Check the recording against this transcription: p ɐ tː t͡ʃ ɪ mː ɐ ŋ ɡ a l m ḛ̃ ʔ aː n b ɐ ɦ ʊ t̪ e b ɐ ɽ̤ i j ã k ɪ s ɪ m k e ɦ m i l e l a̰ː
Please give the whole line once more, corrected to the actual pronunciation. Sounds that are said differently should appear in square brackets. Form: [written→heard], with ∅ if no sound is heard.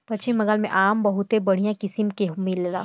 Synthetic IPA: p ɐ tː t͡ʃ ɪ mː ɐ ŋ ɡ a l m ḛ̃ ʔ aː [n→m] b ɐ ɦ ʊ t̪ e b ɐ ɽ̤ i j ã k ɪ s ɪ m k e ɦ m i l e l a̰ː